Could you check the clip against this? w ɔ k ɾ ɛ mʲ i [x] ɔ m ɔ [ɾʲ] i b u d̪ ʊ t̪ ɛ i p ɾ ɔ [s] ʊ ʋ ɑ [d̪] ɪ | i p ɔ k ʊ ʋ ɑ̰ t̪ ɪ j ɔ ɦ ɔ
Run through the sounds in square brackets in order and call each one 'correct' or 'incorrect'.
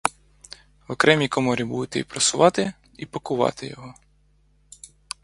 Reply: incorrect, correct, correct, incorrect

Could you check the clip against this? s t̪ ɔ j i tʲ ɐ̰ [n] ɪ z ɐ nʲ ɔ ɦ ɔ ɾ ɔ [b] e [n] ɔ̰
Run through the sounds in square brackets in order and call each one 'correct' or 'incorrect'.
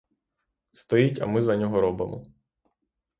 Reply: incorrect, correct, incorrect

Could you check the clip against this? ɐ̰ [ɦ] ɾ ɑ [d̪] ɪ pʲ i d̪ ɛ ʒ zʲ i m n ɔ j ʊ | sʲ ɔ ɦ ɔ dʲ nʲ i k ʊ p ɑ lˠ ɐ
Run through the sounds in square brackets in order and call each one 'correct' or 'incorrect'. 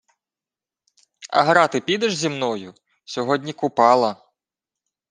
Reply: correct, incorrect

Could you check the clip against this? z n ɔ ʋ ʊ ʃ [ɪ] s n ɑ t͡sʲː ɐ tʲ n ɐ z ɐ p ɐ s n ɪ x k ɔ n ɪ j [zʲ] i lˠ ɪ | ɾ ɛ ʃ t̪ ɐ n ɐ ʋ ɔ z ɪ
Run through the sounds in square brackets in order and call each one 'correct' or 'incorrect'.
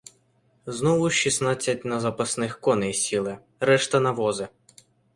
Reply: incorrect, incorrect

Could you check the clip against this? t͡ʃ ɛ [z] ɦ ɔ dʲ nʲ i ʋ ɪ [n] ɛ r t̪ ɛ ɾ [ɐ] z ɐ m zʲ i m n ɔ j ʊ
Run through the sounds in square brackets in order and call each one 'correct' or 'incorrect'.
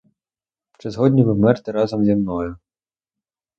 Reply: correct, incorrect, incorrect

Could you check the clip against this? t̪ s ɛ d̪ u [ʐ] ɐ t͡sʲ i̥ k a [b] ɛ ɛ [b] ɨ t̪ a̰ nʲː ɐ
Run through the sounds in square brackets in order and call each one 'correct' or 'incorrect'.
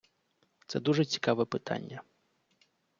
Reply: correct, incorrect, incorrect

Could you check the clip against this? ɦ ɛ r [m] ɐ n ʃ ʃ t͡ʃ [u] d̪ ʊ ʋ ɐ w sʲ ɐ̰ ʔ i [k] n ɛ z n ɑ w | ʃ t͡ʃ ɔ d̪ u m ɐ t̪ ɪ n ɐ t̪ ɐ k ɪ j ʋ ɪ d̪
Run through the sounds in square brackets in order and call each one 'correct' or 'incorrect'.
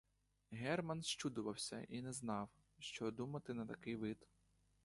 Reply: correct, correct, incorrect

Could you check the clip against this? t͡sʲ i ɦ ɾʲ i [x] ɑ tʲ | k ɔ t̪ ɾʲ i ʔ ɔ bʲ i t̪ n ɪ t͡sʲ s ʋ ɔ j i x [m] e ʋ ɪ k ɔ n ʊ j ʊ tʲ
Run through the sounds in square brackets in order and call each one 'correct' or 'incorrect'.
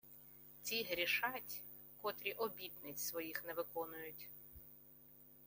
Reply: incorrect, incorrect

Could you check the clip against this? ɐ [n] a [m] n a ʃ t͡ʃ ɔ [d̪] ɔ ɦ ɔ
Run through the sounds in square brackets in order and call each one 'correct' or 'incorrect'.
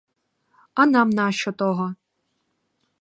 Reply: correct, correct, incorrect

